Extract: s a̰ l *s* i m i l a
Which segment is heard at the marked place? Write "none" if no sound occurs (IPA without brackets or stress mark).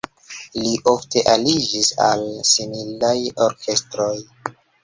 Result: s